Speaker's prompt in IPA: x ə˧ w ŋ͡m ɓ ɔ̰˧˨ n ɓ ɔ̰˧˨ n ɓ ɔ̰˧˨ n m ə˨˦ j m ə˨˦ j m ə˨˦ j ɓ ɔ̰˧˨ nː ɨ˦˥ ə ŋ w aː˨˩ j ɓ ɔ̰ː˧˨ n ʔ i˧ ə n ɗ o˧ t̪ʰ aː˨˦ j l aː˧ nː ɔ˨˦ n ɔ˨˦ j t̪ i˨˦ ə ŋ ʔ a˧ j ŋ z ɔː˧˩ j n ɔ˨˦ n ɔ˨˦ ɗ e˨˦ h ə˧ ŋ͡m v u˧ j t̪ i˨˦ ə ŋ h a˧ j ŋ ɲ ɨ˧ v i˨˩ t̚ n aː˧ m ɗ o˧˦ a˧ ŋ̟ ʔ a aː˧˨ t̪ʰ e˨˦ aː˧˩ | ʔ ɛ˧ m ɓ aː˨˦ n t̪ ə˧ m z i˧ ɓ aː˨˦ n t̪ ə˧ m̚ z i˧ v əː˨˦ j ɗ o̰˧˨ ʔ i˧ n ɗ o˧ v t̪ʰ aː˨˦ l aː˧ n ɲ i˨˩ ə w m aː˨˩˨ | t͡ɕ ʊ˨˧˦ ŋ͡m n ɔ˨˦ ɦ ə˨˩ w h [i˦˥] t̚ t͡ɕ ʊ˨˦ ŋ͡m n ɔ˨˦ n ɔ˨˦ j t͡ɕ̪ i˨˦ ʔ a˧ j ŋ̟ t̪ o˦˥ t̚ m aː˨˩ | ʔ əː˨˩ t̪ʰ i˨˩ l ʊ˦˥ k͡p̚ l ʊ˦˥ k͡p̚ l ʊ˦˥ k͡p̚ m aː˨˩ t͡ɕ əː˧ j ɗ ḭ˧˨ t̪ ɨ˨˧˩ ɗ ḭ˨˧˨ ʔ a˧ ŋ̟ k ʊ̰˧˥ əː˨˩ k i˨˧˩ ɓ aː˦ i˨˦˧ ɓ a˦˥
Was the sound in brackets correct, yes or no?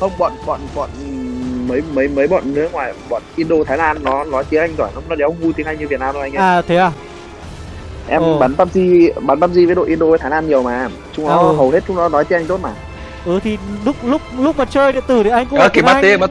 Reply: no